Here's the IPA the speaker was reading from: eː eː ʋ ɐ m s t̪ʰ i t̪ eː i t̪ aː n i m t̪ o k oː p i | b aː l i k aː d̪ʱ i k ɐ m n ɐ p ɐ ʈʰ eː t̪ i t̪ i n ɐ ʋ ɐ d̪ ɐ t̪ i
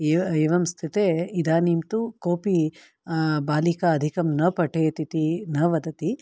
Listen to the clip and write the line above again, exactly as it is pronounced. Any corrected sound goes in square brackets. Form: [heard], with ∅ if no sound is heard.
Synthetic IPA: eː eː ʋ ɐ m s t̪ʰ i t̪ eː i [d̪] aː n i m t̪ [u] k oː p i | b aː l i k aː d̪ʱ i k ɐ m n ɐ p ɐ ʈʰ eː t̪ i t̪ i n ɐ ʋ ɐ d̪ ɐ t̪ i